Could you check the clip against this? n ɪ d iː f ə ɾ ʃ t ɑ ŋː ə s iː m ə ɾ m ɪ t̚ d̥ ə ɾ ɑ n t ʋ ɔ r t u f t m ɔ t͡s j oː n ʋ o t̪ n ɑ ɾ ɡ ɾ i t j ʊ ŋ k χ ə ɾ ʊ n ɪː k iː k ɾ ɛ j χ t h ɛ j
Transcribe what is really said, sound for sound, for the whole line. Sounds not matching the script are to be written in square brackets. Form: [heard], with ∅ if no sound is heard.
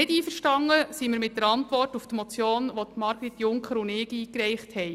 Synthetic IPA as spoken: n ɪ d iː f ə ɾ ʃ t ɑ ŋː ə s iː m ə ɾ m ɪ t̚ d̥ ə ɾ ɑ n t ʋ ɔ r t u f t m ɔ t͡s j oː n ʋ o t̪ [m] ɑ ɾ ɡ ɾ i t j ʊ ŋ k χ ə ɾ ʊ n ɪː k iː k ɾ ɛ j χ t h ɛ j